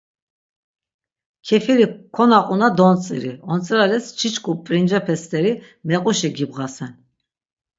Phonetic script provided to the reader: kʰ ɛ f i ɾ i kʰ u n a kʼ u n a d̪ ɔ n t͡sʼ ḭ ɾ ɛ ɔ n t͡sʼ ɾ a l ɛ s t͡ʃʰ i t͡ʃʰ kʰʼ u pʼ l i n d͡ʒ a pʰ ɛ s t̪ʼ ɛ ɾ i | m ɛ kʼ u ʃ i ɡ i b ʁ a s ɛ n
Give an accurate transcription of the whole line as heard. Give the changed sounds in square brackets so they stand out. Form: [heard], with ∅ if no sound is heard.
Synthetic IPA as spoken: kʰ ɛ f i ɾ i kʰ [ɔ] n a [qʼ] u n a d̪ ɔ n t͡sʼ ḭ ɾ [i] ɔ n t͡sʼ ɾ a l ɛ s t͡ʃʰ i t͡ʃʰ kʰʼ u pʼ [ɾ] i n d͡ʒ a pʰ ɛ s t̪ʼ ɛ ɾ i | m ɛ [qʼ] u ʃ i ɡ i b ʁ a s ɛ n